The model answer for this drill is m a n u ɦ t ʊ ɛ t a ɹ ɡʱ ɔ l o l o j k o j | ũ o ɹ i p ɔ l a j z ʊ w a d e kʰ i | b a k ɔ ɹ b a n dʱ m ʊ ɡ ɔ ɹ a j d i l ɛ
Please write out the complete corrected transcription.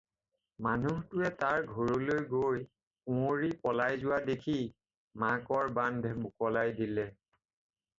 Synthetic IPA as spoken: m a n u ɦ t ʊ ɛ t a ɹ ɡʱ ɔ ɹ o l o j ɡ o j | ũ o ɹ i p ɔ l a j z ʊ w a d e kʰ i | m a k ɔ ɹ b a n dʱ m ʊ k ɔ l a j d i l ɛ

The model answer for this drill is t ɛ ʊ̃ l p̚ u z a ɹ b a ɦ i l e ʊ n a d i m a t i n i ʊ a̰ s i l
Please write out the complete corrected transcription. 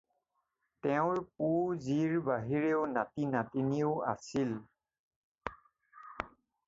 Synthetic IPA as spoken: t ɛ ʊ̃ ɹ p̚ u z i ɹ b a ɦ i ɹ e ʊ n a t i n a t i n i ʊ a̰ s i l

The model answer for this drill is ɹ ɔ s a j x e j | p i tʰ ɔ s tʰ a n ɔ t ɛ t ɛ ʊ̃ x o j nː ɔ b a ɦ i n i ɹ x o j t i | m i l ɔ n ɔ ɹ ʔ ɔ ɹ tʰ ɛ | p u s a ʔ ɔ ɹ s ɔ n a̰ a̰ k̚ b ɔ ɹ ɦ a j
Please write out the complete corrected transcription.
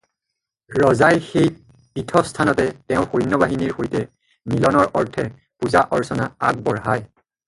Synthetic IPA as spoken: ɹ ɔ z a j x e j | p i tʰ ɔ s tʰ a n ɔ t ɛ t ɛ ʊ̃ x o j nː ɔ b a ɦ i n i ɹ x o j t ɛ | m i l ɔ n ɔ ɹ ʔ ɔ ɹ tʰ ɛ | p u z a ʔ ɔ ɹ s ɔ n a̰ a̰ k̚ b ɔ ɹ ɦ a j

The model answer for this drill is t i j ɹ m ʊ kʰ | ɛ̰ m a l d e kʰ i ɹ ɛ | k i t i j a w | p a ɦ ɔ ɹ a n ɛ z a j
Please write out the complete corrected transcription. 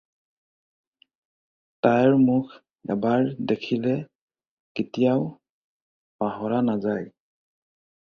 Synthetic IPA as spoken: t a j ɹ m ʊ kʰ | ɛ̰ b a ɹ d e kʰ i l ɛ | k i t i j a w | p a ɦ ɔ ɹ a n a z a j

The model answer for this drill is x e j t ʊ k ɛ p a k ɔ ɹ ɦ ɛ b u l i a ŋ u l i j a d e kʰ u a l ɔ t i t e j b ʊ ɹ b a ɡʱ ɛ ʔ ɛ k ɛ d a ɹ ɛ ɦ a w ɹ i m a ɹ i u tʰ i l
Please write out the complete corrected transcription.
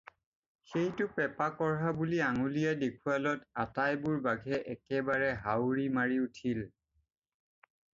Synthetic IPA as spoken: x e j t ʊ p ɛ p a k ɔ ɹ ɦ a b u l i a ŋ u l i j a d e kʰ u a l ɔ t a t a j b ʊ ɹ b a ɡʱ ɛ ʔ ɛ k ɛ b a ɹ ɛ ɦ a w ɹ i m a ɹ i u tʰ i l

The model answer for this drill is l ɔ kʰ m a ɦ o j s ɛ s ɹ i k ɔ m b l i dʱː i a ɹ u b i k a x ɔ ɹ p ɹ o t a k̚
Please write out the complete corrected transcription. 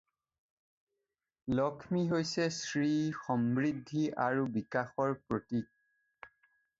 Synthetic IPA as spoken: l ɔ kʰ m i ɦ o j s ɛ s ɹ i x ɔ m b ɹ i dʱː i a ɹ u b i k a x ɔ ɹ p ɹ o t i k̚

